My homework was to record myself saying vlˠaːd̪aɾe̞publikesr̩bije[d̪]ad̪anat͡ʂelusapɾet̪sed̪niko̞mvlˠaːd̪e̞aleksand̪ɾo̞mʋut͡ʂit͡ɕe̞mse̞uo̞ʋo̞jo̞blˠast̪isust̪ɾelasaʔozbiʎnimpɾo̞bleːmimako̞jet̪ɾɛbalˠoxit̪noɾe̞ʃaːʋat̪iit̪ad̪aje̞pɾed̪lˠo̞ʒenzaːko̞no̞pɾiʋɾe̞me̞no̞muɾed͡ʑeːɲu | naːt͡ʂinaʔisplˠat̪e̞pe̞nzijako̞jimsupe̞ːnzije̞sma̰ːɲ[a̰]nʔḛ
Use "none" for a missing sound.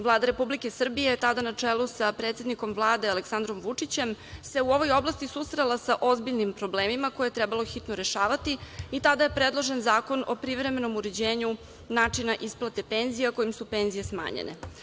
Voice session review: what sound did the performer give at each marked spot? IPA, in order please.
t̪, ḛ

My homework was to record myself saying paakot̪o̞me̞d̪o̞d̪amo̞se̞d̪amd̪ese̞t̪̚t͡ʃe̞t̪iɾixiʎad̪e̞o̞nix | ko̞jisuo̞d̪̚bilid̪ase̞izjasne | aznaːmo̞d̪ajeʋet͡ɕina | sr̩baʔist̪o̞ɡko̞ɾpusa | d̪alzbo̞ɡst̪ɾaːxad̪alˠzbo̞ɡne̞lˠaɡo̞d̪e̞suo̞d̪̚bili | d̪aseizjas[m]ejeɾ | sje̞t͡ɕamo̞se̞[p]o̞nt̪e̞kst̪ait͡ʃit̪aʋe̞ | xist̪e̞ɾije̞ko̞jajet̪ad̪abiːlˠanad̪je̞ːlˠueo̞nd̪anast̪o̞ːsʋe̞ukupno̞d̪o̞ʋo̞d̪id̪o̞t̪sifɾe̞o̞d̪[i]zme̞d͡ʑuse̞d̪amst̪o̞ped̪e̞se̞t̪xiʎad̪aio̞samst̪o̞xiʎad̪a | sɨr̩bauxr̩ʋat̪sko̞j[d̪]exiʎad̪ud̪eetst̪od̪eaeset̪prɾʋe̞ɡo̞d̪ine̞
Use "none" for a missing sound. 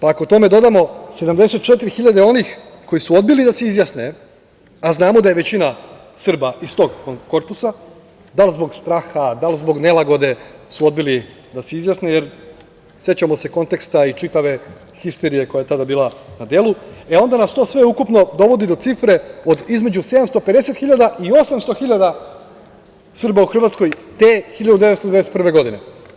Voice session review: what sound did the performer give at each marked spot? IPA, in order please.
n, k, i, t̪

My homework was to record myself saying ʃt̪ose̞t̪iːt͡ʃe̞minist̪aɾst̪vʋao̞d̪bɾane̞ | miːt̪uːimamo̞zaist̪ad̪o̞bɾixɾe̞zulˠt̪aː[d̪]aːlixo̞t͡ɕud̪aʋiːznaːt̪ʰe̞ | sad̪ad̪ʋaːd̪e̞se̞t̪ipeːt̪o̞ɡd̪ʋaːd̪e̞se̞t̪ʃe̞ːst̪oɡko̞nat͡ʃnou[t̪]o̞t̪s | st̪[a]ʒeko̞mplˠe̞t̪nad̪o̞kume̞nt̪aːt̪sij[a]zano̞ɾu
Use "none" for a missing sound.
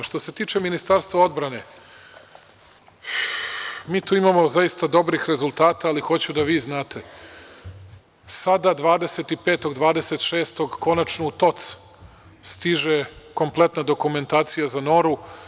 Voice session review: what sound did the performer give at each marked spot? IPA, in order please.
t̪, t̪, i, a

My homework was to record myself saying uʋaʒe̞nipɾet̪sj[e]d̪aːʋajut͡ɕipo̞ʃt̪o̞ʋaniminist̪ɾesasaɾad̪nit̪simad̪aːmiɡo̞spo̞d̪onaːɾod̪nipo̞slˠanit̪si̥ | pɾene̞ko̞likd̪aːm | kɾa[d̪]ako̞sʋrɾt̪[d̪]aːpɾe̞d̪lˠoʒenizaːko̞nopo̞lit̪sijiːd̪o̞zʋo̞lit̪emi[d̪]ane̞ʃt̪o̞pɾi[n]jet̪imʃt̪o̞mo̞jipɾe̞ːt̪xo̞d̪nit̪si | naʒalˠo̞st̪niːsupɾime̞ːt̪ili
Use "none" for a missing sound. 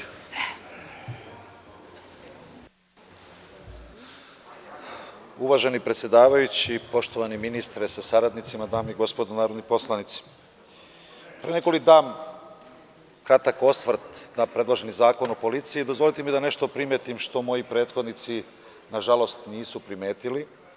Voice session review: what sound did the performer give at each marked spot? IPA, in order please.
e, t̪, d̪, d̪, m

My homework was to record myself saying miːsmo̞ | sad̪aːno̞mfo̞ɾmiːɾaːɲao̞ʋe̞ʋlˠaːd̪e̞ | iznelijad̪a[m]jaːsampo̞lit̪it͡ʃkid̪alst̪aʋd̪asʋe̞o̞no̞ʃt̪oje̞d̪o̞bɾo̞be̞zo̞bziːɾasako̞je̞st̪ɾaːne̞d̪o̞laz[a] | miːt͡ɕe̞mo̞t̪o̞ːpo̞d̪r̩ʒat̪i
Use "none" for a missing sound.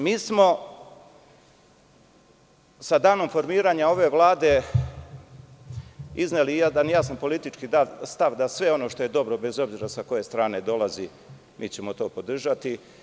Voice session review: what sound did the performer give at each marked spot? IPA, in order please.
n, i

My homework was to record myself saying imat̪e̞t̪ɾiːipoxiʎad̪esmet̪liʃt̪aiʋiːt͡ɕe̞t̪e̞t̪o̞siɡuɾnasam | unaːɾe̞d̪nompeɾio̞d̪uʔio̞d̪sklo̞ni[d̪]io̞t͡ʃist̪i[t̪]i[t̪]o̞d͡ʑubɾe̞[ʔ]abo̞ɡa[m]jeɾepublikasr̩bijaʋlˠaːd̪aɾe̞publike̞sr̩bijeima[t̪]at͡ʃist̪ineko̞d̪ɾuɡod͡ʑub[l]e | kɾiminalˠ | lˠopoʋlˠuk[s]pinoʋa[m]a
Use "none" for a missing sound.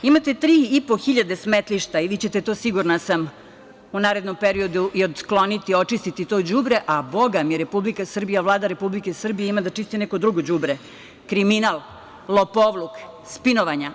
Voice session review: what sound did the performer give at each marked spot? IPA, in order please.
t̪, t̪, t̪, ʔ, m, d̪, ɾ, s, ɲ

